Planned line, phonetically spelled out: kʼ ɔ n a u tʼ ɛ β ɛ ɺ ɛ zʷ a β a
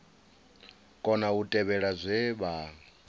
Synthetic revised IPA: kʼ ɔ n a u tʼ ɛ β ɛ ɺ a zʷ ɛ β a